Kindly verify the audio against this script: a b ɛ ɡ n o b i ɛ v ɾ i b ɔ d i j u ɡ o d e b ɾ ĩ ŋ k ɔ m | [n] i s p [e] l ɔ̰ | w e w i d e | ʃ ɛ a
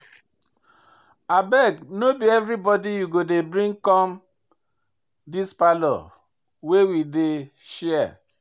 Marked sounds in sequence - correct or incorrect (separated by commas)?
incorrect, incorrect